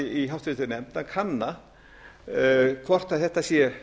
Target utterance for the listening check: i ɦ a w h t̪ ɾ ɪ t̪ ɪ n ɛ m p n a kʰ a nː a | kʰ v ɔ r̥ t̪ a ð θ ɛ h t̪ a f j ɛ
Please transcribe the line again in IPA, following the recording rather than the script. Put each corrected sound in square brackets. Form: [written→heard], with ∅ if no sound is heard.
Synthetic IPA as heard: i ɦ a w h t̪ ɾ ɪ t̪ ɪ n ɛ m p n a kʰ a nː a | kʰ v ɔ r̥ t̪ a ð θ ɛ h t̪ a [f→s] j ɛ

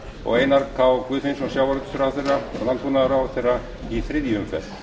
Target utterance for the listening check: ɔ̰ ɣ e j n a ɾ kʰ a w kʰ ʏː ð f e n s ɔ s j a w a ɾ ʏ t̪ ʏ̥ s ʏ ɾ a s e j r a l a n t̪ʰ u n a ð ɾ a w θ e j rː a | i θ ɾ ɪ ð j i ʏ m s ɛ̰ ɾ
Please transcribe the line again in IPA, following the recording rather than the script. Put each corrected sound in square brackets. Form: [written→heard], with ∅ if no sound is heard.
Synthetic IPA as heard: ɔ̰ ɣ e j n a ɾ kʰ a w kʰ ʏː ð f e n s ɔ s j a w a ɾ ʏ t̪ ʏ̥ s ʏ ɾ a [s→θ] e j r a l a n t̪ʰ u n a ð ɾ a w θ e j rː a | i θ ɾ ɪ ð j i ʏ m [s→f] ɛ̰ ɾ

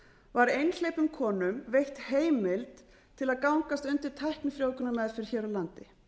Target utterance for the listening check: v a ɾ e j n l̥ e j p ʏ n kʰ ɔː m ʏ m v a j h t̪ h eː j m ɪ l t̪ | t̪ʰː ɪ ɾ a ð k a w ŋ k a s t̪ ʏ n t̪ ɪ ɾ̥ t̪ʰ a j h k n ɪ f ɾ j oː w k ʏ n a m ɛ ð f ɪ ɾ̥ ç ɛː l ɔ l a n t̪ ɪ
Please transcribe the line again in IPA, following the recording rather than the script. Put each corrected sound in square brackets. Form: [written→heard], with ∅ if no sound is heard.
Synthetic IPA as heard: v a ɾ e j n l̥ e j p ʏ [n→m] kʰ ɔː [m→n] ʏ m v [a→e] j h t̪ h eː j m ɪ l t̪ | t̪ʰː ɪ [ɾ→l] a ð k a w ŋ k a s t̪ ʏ n t̪ ɪ ɾ̥ t̪ʰ a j h k n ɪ f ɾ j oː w k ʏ n a m ɛ ð f ɪ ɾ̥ ç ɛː [l→ɾ] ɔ l a n t̪ ɪ

